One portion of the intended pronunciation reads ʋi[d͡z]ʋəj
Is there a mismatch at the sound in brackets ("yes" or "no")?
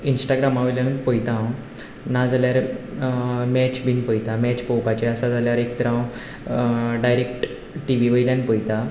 yes